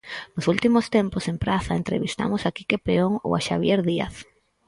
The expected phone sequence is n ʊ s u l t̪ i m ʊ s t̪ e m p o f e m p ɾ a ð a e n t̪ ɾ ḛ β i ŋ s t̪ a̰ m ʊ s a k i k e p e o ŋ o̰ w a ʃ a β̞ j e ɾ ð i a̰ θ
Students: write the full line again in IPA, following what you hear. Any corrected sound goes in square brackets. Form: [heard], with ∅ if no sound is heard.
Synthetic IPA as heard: n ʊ s u l t̪ i m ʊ s t̪ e m p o [s] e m p ɾ a [θ] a e n t̪ ɾ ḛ β i [∅] s t̪ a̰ m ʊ s a k i k e p e o ŋ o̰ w a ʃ a β̞ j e ɾ ð i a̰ θ